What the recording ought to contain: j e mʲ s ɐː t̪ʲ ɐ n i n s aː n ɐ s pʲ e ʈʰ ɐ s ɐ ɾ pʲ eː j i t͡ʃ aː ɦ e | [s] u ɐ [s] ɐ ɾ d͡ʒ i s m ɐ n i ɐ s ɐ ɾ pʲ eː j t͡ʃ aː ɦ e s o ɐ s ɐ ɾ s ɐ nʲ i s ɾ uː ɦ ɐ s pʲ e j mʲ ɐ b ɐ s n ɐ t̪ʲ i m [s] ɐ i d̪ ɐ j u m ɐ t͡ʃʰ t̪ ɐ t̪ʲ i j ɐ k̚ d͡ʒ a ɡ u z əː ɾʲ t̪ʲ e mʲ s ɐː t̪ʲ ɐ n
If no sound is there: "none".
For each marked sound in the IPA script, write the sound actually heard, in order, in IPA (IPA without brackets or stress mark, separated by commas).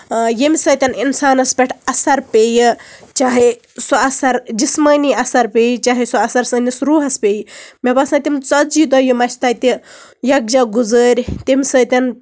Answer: s, s, t͡s